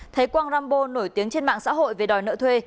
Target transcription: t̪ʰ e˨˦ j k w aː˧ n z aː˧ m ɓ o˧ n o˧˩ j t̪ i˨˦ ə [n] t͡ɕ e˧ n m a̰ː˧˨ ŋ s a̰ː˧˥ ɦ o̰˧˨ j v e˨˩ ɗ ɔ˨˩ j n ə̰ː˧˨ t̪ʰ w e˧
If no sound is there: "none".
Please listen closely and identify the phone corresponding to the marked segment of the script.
ŋ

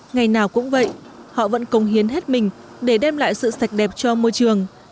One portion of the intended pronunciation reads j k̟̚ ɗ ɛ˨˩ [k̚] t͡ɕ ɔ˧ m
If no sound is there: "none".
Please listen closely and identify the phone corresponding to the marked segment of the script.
p̚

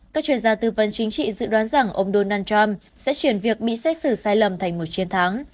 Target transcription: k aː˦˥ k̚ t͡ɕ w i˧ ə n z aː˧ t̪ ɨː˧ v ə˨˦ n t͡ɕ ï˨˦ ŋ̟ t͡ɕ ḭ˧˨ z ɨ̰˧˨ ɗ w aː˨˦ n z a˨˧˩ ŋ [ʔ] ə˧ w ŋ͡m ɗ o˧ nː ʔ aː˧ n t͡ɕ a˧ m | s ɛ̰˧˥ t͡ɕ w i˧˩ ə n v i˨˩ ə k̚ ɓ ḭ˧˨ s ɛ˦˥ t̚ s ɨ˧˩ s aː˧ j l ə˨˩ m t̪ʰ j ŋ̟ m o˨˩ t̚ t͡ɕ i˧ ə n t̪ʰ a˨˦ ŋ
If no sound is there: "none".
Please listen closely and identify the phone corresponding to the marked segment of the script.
ʔ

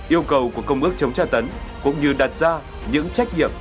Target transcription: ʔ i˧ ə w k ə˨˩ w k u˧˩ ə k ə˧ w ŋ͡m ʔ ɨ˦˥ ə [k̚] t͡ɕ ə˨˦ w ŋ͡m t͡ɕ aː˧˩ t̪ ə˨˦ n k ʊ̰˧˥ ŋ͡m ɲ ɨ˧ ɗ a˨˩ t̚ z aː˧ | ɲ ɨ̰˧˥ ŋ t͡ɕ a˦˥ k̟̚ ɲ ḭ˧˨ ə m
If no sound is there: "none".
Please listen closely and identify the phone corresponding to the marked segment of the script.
k̚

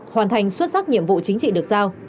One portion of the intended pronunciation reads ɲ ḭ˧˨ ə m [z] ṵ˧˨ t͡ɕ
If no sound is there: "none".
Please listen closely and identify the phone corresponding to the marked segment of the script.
v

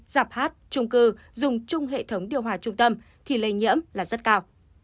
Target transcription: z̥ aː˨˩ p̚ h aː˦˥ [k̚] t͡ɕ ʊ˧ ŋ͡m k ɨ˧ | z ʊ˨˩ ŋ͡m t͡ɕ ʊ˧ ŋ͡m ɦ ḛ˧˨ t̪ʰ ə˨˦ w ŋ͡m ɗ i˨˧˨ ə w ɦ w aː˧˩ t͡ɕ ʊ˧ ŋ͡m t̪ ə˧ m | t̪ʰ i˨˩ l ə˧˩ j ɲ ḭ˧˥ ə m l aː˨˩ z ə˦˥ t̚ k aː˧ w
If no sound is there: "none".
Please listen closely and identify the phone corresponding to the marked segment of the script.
t̚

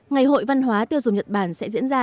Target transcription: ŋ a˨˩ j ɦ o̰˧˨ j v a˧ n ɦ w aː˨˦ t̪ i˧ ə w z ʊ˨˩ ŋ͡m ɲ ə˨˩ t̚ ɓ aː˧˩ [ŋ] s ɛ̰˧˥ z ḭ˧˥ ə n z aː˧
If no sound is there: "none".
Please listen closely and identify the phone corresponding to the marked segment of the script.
n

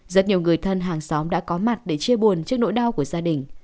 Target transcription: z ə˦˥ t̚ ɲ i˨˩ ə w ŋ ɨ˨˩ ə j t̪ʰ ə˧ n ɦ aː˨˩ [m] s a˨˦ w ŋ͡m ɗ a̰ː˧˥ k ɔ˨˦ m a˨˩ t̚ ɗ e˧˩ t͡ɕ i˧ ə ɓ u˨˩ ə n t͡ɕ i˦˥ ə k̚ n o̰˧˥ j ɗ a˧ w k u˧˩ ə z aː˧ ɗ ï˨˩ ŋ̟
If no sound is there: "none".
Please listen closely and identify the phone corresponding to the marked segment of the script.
ŋ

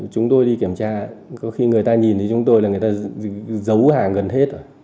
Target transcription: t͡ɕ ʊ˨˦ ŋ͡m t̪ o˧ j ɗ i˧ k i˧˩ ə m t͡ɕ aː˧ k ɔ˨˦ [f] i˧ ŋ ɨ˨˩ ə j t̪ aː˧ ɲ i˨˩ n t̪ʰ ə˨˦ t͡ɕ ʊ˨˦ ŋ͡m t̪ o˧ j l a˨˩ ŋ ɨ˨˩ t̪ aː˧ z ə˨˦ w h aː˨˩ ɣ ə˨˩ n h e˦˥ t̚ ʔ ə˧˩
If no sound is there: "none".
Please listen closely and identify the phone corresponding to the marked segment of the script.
x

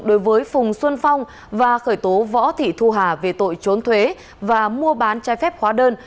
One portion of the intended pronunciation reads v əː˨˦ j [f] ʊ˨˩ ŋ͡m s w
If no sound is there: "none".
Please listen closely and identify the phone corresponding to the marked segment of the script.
f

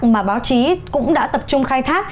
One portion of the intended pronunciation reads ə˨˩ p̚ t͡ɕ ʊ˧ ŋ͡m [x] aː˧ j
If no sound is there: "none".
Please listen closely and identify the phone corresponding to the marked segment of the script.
x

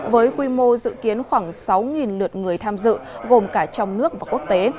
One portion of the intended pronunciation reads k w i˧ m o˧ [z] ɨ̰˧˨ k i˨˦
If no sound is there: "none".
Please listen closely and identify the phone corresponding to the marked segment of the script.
z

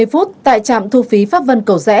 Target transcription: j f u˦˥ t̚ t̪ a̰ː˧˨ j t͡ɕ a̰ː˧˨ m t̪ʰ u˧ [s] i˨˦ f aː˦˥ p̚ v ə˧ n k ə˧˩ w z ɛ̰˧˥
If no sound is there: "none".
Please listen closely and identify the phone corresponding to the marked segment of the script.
f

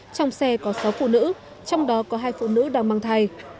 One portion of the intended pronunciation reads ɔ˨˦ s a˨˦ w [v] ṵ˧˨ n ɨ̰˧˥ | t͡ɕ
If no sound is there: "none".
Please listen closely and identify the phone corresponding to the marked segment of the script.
f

